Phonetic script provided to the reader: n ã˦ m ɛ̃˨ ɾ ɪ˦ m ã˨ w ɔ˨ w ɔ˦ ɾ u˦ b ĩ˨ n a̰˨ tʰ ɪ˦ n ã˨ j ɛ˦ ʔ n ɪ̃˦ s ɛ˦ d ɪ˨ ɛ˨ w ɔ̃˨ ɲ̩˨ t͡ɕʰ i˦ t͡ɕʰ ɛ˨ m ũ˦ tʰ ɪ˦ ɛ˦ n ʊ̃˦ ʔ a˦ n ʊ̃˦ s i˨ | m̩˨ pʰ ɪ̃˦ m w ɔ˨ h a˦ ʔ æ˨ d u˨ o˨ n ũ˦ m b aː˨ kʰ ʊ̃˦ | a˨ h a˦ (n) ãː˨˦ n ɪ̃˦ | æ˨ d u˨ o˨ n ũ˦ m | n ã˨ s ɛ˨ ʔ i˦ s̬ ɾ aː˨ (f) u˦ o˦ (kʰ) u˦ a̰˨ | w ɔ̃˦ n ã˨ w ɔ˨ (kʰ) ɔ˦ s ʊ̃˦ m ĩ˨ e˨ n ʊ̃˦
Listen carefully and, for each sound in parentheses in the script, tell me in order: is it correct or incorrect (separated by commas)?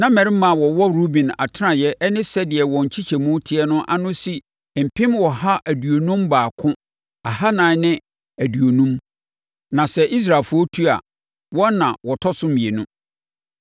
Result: correct, correct, incorrect, incorrect